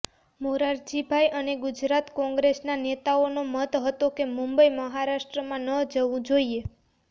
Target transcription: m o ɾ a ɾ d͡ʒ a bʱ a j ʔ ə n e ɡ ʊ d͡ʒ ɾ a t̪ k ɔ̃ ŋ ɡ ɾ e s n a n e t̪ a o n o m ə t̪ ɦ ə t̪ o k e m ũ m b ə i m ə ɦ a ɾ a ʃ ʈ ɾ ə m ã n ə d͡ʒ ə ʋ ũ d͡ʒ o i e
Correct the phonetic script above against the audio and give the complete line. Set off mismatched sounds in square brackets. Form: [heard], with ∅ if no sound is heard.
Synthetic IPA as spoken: m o ɾ a ɾ d͡ʒ [i] bʱ a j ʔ ə n e ɡ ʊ d͡ʒ ɾ a t̪ k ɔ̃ ŋ ɡ ɾ e s n a n e t̪ a o n o m ə t̪ ɦ ə t̪ o k e m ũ m b ə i m ə ɦ a ɾ a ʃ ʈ ɾ ə m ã n ə d͡ʒ ə ʋ ũ d͡ʒ o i e